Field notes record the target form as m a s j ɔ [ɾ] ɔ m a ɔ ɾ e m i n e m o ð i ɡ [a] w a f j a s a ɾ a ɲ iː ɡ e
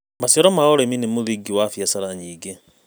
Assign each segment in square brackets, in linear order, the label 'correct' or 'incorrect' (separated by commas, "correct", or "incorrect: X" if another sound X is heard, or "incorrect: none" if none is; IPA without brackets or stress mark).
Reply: correct, incorrect: i